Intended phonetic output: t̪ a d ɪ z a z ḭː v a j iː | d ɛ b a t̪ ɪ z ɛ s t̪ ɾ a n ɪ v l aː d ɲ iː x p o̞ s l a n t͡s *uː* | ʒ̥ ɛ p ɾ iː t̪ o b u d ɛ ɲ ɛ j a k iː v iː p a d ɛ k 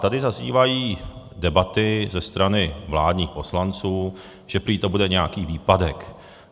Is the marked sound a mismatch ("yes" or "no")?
no